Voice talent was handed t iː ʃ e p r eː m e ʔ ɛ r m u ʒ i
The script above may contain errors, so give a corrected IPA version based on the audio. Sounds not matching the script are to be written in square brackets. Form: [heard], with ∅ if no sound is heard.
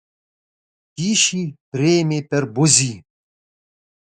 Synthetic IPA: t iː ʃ [i] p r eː m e [p] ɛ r [b] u [z] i